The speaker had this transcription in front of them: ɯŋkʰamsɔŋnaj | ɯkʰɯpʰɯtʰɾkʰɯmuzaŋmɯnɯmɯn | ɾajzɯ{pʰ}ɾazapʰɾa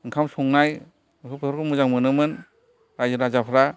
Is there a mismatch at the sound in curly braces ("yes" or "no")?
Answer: yes